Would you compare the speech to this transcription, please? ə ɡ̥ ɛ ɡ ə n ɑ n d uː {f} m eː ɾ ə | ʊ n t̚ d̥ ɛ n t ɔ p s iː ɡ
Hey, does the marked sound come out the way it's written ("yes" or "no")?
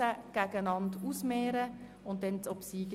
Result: no